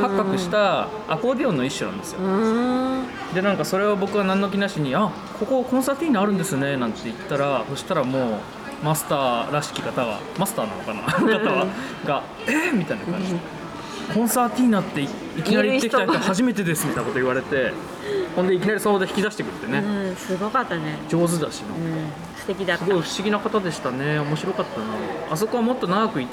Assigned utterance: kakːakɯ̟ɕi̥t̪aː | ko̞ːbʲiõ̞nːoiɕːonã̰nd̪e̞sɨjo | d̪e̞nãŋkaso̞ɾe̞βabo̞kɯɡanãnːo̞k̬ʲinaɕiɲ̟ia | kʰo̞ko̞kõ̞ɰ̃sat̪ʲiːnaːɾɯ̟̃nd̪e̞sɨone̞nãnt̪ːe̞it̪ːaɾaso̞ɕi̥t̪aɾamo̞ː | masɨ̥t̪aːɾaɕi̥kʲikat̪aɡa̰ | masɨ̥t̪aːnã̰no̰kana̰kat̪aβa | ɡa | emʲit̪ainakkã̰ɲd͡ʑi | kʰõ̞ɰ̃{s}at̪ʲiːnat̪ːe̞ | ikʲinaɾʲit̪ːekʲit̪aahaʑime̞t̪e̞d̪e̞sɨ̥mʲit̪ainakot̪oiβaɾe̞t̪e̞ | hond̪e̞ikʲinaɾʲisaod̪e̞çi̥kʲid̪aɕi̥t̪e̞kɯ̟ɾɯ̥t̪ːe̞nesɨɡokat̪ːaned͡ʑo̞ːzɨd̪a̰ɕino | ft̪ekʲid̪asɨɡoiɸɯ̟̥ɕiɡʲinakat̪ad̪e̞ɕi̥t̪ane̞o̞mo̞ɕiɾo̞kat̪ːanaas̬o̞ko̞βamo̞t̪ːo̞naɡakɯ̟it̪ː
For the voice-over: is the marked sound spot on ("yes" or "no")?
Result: yes